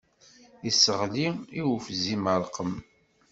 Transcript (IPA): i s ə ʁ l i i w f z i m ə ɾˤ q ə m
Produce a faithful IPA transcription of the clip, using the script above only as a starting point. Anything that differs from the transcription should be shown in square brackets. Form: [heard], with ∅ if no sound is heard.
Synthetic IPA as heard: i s ə ʁ l i i w f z i m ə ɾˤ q ə m